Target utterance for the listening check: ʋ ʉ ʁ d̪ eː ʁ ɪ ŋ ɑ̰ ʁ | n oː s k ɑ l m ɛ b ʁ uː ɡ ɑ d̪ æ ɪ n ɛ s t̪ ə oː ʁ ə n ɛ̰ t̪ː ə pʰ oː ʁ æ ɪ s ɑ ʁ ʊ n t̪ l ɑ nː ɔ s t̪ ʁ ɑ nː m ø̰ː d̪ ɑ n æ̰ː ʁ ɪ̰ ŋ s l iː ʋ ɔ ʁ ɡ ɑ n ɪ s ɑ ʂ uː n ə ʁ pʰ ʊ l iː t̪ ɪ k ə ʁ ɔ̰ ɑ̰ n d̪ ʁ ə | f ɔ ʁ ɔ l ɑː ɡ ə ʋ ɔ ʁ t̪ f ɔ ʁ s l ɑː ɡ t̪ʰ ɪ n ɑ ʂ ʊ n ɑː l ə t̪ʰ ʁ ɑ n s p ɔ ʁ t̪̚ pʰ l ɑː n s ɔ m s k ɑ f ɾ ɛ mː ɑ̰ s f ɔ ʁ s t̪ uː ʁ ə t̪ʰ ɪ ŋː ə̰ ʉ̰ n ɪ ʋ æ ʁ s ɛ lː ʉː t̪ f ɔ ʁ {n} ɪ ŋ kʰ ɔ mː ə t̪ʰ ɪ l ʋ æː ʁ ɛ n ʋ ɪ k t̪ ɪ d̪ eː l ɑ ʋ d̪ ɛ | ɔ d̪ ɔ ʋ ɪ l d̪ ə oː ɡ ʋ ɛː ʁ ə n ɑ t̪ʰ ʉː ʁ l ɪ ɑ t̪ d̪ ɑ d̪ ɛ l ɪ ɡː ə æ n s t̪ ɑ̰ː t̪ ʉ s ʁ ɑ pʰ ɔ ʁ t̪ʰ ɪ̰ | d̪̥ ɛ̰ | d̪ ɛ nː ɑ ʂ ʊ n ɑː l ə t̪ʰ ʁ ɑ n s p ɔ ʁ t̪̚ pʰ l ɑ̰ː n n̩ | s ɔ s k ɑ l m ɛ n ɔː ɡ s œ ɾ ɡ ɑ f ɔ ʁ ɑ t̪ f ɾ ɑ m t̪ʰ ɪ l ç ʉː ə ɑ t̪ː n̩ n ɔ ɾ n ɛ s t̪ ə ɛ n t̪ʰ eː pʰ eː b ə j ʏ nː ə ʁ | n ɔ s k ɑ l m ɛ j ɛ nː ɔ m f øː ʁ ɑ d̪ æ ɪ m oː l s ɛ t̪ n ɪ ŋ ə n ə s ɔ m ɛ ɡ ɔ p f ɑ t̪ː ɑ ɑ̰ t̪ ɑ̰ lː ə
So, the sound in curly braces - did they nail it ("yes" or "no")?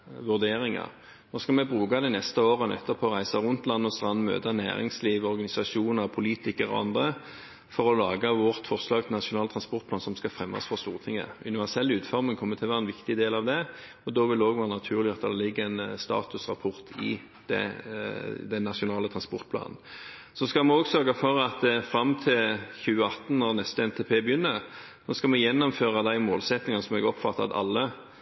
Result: no